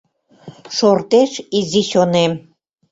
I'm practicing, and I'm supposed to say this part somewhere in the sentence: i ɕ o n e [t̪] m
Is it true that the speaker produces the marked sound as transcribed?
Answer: no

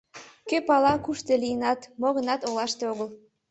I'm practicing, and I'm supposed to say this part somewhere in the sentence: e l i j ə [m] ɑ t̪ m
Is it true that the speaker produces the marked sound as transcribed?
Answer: no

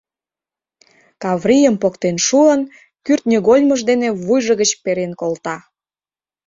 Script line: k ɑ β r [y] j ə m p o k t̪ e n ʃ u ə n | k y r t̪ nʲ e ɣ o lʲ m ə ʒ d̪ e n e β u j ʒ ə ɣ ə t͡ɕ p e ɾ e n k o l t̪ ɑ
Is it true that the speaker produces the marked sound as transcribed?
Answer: no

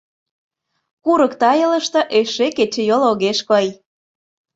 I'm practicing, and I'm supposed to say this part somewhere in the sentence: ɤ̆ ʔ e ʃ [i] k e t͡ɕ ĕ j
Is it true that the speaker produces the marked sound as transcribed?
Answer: no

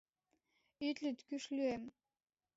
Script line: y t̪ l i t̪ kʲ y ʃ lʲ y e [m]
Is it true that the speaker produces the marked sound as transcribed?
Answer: yes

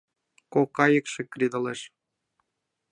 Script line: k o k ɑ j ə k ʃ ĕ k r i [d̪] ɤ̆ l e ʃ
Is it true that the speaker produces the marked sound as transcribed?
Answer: yes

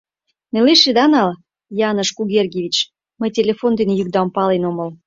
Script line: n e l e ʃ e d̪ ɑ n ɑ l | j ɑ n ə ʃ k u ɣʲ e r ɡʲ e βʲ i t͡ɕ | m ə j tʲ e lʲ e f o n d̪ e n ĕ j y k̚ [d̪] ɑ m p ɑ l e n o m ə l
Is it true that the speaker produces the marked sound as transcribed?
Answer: yes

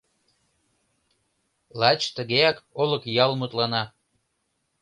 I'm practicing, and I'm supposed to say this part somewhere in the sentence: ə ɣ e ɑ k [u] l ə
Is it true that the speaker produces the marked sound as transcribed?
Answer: no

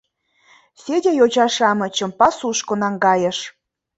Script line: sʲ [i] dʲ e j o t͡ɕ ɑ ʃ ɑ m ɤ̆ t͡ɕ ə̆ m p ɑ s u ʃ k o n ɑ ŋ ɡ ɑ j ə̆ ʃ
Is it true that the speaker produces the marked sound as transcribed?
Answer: no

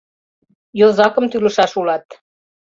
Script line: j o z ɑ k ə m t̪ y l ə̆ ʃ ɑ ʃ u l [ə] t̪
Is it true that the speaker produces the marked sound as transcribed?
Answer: no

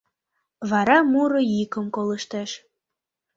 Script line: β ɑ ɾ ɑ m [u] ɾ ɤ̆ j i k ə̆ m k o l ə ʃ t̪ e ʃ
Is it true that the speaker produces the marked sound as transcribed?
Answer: yes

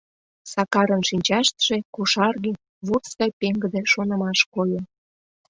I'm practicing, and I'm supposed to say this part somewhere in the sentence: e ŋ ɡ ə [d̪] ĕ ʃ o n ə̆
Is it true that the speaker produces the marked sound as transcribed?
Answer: yes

